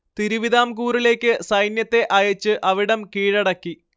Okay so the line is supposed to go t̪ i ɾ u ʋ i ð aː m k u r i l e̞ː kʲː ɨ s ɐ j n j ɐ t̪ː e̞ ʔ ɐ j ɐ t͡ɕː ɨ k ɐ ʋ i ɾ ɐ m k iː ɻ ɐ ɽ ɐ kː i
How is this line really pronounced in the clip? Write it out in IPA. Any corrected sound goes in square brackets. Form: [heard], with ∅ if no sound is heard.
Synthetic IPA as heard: t̪ i ɾ u ʋ i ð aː m k [uː] r i l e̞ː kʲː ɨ s ɐ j n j ɐ t̪ː e̞ ʔ ɐ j ɐ t͡ɕː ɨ [ʔ] ɐ ʋ i [ɽ] ɐ m k iː ɻ ɐ ɽ ɐ kː i